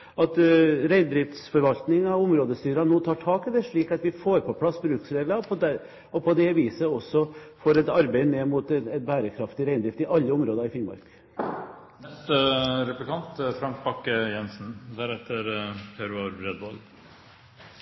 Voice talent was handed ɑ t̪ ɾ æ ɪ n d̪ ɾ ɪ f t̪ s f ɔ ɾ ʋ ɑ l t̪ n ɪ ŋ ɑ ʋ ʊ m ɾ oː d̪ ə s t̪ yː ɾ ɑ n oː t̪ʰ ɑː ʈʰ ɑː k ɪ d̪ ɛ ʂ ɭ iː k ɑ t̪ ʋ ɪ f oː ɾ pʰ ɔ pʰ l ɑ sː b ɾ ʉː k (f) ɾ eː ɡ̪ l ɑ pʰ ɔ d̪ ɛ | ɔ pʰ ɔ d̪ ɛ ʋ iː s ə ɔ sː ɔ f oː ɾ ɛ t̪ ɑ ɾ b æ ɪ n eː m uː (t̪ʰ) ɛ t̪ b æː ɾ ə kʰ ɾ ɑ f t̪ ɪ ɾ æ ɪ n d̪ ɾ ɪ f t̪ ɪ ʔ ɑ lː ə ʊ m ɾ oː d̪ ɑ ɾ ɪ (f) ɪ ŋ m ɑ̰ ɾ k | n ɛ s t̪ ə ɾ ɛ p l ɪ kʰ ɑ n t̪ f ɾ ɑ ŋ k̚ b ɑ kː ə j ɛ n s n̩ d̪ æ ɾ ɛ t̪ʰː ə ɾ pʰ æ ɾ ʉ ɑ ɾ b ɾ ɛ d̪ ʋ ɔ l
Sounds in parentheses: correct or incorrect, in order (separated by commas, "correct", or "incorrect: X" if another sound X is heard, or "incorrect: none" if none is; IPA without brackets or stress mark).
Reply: incorrect: s, incorrect: t̪, correct